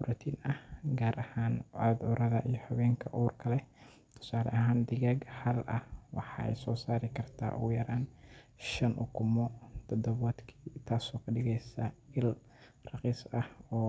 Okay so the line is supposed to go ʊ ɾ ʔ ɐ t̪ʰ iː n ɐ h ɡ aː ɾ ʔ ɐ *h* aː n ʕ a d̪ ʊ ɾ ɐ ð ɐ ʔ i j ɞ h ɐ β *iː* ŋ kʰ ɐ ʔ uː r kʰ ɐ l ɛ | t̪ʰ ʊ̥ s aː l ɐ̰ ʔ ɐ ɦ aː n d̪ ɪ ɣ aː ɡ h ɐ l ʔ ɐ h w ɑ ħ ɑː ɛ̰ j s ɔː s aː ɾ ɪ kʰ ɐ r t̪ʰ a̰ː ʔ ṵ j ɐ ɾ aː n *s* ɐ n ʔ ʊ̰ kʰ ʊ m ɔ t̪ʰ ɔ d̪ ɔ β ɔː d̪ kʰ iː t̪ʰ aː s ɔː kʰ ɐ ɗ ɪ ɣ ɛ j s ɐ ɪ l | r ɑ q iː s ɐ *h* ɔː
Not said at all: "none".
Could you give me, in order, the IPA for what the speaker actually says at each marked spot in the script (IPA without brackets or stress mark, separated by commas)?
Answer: h, ɛː, ʃ, h